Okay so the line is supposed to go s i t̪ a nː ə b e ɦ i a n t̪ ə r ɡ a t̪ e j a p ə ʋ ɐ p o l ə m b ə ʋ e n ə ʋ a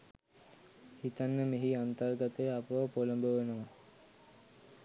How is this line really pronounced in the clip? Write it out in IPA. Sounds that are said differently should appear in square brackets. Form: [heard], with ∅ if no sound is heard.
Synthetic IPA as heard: [h] i t̪ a nː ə [m] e ɦ i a n t̪ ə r ɡ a t̪ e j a p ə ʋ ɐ p o l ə m b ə ʋ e n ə ʋ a